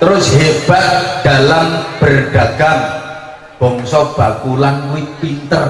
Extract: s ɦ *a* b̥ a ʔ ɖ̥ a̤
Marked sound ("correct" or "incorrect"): incorrect